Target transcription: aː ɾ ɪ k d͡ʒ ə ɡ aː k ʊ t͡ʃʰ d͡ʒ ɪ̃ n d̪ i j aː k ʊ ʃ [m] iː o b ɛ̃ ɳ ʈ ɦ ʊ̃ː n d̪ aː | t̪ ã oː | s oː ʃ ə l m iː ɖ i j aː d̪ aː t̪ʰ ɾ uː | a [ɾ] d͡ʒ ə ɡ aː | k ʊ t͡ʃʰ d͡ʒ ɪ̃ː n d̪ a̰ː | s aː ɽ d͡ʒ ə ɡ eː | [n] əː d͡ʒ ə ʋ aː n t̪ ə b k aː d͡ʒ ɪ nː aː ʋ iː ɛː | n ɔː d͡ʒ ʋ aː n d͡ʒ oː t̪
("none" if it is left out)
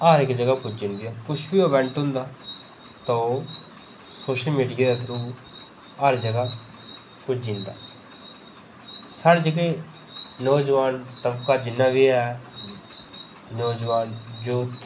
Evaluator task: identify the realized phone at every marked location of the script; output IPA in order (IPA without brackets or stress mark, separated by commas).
b, ɾ, n